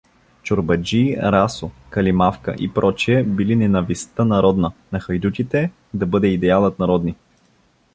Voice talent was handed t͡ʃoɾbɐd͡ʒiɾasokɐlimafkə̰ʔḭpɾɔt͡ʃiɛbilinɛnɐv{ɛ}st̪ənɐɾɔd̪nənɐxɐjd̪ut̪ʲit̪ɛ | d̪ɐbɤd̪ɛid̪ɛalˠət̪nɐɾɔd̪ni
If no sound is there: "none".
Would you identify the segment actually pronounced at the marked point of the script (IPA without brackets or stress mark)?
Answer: i